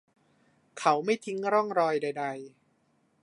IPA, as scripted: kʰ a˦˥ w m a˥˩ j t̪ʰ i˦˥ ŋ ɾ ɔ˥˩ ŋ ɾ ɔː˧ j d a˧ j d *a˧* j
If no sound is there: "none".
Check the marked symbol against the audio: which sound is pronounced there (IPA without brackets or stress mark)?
a˧